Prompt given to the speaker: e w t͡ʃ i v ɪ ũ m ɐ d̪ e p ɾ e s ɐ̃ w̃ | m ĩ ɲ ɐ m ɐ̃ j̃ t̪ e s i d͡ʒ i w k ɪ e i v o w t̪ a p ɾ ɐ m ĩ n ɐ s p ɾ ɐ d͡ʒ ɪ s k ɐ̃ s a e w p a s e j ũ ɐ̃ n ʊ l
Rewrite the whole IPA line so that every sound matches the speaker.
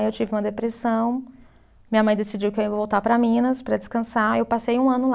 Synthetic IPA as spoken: e w t͡ʃ i v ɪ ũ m ɐ d̪ e p ɾ e s ɐ̃ w̃ | m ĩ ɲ ɐ m ɐ̃ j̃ d̪ e s i d͡ʒ i w k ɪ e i v o w t̪ a p ɾ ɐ m ĩ n ɐ s p ɾ ɐ d͡ʒ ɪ s k ɐ̃ s a e w p a s e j ũ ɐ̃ n ʊ l